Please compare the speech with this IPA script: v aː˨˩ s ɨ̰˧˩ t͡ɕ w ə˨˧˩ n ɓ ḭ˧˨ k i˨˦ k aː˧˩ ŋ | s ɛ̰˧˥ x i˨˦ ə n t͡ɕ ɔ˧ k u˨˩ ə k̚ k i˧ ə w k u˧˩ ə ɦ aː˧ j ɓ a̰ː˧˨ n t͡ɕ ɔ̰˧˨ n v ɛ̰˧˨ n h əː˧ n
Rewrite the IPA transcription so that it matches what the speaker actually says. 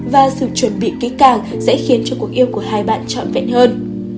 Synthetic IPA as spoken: v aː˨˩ s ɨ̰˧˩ t͡ɕ w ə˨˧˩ n ɓ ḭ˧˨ k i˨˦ k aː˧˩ ŋ | s ɛ̰˧˥ x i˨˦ ə n t͡ɕ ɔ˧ k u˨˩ ə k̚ ʔ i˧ ə w k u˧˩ ə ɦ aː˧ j ɓ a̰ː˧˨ n t͡ɕ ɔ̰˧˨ n v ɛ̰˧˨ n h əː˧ n